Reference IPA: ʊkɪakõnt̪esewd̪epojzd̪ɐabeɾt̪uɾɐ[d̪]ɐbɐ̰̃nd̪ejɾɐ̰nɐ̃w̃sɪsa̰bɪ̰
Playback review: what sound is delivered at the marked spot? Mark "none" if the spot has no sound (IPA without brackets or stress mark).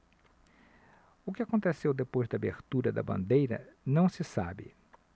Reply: d̪